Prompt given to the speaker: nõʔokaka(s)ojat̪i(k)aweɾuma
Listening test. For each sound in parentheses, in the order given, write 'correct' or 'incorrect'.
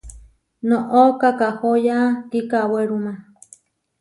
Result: incorrect: h, correct

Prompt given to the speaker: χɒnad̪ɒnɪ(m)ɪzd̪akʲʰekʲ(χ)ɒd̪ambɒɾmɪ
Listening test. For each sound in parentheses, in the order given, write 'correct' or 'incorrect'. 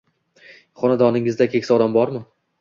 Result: incorrect: ŋ, incorrect: s

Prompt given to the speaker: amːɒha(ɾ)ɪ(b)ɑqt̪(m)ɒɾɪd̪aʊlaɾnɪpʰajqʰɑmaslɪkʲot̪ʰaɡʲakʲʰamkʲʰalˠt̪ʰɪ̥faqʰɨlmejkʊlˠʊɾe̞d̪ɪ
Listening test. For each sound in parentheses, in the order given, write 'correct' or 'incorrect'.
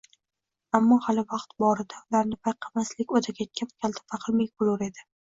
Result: incorrect: l, incorrect: v, incorrect: b

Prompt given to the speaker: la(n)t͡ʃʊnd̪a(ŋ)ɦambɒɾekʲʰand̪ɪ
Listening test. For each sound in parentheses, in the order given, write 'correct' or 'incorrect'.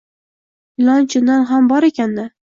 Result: correct, incorrect: n

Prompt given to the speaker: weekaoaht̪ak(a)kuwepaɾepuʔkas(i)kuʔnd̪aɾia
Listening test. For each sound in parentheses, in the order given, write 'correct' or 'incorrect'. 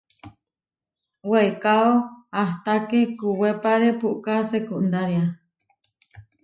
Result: incorrect: e, incorrect: e

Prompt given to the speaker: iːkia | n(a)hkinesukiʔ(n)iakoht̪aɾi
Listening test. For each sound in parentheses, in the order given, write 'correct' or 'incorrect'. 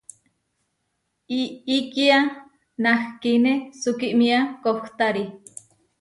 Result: correct, incorrect: m

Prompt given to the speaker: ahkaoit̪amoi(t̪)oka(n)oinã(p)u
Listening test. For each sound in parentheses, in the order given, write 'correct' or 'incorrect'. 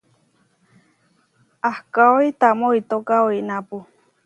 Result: correct, incorrect: none, correct

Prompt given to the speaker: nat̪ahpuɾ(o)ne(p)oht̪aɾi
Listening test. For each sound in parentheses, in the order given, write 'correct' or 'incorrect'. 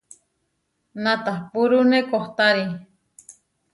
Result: incorrect: u, incorrect: k

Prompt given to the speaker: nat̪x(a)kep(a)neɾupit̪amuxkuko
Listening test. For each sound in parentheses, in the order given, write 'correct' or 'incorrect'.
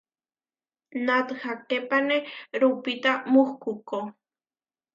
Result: correct, correct

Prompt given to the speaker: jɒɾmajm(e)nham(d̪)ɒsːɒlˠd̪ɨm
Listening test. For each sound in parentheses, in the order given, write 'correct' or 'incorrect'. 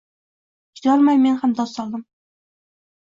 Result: correct, correct

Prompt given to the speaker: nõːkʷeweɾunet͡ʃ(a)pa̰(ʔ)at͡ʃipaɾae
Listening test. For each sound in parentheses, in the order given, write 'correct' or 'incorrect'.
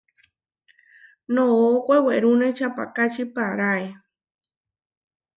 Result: correct, incorrect: k

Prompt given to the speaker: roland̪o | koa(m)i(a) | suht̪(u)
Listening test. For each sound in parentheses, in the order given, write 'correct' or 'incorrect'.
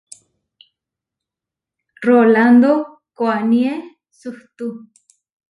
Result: incorrect: n, incorrect: e, correct

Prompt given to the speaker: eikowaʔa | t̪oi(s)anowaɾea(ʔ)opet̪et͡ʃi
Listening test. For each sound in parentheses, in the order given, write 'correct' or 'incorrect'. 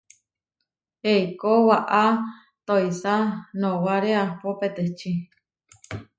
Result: correct, incorrect: p

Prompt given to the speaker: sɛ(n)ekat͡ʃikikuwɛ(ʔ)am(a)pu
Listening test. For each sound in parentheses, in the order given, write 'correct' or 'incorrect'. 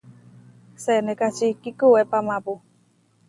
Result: correct, incorrect: p, correct

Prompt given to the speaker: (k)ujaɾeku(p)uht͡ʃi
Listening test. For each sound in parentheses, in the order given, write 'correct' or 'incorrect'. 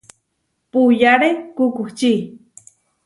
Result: incorrect: p, incorrect: k

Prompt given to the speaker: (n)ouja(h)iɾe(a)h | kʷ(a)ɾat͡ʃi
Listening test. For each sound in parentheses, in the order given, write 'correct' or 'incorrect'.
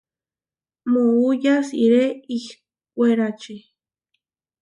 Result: incorrect: m, incorrect: s, incorrect: i, incorrect: e

